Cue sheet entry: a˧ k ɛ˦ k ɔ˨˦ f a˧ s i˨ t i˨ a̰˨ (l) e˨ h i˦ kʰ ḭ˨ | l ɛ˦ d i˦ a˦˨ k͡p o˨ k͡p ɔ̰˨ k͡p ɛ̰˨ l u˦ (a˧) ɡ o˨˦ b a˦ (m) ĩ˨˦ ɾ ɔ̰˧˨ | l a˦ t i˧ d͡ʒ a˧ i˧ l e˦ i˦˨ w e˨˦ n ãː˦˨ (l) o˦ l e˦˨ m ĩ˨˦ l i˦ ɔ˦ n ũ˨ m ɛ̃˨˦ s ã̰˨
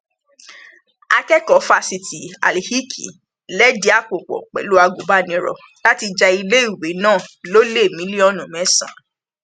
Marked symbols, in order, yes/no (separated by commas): yes, yes, no, yes